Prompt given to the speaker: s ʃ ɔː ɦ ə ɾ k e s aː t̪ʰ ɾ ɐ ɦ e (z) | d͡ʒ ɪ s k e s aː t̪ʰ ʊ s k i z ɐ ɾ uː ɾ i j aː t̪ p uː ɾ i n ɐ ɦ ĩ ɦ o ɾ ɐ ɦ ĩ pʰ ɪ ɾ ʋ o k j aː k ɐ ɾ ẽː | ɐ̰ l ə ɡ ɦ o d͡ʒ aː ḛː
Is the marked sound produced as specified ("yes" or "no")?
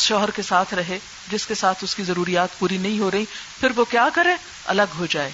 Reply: no